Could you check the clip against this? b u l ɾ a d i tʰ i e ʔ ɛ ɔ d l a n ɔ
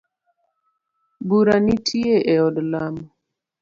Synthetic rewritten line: b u ɾ a n i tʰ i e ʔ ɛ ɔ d l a m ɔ